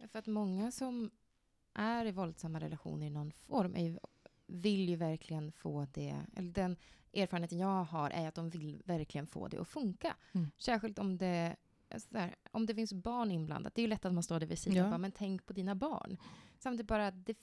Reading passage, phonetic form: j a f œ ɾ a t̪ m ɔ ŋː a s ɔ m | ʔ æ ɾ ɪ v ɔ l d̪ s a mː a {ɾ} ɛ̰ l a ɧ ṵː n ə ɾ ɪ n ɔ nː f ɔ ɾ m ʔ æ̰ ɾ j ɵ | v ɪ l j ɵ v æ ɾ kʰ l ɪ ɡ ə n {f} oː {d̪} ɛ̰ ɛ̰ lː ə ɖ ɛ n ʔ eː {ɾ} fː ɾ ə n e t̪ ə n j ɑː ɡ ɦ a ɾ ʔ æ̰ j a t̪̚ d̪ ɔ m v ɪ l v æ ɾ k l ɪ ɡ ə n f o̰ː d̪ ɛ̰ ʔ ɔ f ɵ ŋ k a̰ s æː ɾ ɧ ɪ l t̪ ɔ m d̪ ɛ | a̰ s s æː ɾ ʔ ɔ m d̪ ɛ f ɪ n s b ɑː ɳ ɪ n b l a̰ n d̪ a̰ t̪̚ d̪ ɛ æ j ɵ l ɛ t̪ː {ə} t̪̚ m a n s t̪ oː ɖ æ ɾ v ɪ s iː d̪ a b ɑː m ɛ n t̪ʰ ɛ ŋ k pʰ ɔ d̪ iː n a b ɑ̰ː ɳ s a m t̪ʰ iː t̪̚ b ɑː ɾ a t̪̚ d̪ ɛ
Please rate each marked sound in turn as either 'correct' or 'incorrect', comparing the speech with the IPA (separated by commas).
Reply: correct, correct, correct, correct, incorrect